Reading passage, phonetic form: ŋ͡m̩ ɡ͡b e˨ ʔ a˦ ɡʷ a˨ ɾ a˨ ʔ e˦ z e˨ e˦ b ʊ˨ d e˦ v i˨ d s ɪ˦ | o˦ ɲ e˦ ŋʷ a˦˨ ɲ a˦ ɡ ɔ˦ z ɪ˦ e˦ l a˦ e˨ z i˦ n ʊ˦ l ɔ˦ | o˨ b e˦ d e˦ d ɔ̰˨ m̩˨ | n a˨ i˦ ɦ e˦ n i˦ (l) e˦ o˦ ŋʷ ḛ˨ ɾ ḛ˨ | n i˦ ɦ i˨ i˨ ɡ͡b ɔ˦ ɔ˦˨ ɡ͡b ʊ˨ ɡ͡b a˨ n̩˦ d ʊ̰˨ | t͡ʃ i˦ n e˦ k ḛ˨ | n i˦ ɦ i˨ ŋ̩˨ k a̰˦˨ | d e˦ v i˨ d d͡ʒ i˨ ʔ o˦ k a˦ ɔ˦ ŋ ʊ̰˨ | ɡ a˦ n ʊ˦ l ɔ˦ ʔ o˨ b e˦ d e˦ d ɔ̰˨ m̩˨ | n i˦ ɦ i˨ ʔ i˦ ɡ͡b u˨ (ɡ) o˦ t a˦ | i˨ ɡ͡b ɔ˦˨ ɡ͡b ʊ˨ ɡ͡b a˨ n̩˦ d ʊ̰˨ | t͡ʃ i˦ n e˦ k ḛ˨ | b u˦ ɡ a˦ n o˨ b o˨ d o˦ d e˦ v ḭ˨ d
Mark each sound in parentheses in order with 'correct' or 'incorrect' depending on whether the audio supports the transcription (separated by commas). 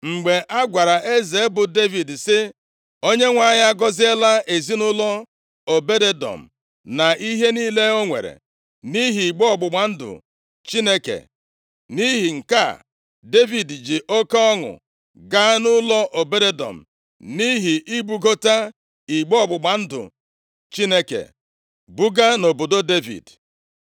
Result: correct, correct